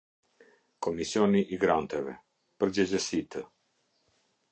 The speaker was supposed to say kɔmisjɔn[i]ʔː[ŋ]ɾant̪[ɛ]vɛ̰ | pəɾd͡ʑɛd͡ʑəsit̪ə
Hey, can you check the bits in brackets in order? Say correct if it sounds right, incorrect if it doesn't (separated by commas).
correct, incorrect, correct